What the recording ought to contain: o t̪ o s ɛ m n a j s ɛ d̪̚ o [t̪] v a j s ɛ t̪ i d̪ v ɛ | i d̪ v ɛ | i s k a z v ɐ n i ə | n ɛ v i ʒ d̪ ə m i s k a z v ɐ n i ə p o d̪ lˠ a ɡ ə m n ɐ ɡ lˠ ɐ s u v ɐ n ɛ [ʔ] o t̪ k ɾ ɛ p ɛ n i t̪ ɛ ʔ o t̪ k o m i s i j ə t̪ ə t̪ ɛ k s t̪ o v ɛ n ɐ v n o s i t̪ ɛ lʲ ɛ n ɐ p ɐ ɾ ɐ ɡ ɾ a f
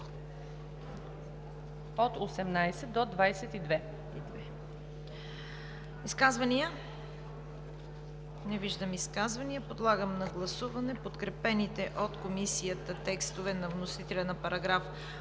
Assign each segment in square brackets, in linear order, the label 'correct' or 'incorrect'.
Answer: incorrect, incorrect

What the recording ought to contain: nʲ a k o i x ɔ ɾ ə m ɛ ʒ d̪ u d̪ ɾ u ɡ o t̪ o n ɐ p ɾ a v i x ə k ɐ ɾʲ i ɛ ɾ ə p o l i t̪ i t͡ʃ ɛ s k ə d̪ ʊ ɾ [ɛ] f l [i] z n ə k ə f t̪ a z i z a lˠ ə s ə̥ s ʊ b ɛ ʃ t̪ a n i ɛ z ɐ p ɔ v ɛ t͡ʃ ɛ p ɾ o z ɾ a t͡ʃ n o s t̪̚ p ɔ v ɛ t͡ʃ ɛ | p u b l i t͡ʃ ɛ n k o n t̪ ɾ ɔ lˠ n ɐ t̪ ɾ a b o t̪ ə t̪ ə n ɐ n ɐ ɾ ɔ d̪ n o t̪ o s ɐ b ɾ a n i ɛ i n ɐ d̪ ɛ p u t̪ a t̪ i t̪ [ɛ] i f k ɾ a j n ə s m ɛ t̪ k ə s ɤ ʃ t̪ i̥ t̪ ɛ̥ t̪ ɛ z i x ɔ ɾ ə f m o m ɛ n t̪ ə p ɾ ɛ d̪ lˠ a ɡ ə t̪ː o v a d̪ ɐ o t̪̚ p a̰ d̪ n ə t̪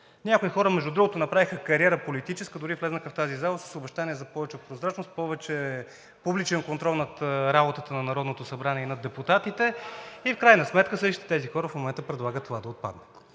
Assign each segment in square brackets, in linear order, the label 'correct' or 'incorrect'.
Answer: incorrect, incorrect, correct

